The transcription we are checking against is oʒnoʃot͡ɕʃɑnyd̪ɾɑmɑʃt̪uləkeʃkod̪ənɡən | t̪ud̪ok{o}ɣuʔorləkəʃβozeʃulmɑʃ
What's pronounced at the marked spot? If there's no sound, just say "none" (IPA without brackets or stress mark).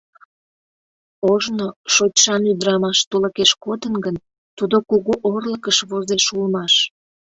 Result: u